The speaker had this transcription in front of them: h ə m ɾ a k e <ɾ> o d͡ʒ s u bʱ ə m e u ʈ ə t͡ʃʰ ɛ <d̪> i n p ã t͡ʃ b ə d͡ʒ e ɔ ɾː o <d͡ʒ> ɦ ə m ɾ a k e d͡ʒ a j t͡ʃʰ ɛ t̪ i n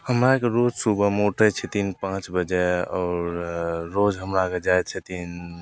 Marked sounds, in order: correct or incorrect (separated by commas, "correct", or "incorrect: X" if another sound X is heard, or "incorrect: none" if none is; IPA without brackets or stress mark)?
correct, incorrect: t̪, correct